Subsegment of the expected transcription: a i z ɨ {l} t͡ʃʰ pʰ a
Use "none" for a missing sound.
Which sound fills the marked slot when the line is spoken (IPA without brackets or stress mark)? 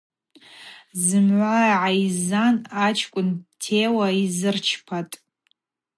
r